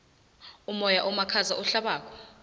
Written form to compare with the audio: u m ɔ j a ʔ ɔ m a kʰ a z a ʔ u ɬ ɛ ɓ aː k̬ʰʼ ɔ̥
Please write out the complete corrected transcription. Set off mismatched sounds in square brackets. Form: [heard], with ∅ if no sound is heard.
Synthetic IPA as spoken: u m ɔ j a ʔ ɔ m a kʰ a z a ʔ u ɬ [a] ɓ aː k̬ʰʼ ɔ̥